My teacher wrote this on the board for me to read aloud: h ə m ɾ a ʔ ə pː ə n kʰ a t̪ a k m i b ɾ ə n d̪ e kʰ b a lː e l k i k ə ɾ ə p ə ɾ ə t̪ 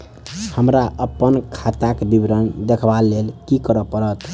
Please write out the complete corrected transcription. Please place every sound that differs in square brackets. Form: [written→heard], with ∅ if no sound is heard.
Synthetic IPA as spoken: h ə m ɾ a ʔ ə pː ə n kʰ a t̪ a k [m→b] i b ɾ ə n d̪ e kʰ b a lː e l k i k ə ɾ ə p ə ɾ ə t̪